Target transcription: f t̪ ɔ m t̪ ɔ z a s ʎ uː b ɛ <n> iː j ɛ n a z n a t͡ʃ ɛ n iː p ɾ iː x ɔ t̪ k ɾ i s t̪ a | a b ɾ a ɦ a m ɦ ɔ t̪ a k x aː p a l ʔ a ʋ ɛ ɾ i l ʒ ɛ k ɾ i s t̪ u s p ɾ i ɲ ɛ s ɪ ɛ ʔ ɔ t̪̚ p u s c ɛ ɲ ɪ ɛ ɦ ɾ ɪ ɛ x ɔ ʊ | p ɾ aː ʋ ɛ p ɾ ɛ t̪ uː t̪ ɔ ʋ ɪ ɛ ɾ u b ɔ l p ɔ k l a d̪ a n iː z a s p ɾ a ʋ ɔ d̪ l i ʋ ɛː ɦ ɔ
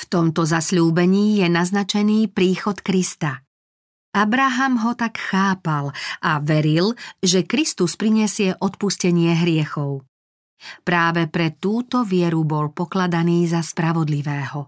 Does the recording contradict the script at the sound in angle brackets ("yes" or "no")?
yes